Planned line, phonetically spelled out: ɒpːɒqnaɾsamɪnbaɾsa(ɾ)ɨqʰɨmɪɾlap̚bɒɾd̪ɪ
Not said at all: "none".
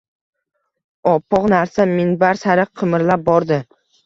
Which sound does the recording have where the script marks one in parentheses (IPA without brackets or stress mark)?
ɾ